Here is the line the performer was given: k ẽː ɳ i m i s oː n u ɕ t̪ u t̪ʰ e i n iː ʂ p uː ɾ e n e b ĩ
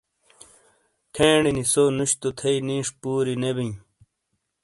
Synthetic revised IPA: kʰ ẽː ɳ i n i s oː n u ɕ t̪ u t̪ʰ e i n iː ʂ p uː ɾ i n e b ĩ